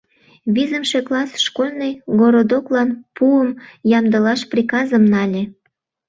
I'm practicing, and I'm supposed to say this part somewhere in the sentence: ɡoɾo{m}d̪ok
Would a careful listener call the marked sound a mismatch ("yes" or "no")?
yes